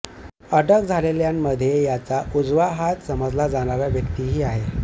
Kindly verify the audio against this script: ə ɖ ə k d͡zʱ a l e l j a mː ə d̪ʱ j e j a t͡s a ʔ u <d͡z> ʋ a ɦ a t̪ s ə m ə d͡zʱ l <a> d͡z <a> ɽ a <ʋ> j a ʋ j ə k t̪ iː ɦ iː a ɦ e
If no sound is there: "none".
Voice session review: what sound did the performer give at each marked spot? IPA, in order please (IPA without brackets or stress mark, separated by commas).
d͡z, a, a, ʋ